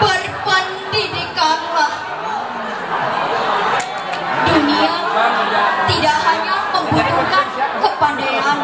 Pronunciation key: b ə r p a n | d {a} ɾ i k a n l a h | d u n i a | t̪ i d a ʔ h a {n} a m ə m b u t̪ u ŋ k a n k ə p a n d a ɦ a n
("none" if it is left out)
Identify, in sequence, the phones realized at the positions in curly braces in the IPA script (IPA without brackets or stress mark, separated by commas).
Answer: i, ɲ